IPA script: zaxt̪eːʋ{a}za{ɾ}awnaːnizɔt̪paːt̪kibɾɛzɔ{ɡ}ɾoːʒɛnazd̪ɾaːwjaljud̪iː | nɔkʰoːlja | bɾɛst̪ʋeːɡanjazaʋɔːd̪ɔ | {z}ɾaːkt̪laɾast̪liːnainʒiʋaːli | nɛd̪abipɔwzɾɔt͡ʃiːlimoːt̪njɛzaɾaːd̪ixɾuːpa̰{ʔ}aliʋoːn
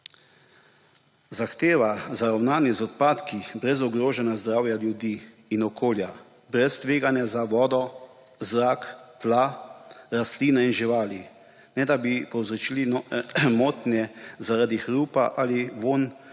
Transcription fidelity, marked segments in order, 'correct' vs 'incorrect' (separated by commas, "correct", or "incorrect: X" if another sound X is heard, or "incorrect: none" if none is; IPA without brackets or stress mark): correct, correct, correct, correct, correct